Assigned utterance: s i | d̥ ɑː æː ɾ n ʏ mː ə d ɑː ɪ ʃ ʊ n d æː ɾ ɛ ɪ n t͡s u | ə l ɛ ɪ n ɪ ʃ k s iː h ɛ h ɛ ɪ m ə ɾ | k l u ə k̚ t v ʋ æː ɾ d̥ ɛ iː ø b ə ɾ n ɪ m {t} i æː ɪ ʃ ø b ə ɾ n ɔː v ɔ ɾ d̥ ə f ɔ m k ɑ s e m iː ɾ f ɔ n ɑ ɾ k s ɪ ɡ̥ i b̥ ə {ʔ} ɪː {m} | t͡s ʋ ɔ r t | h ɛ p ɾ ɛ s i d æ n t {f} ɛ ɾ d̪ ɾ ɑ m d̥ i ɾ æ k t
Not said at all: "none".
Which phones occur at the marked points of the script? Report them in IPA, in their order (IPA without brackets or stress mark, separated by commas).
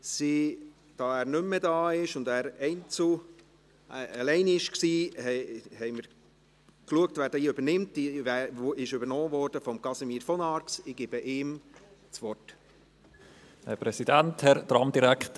t, ʔ, m, h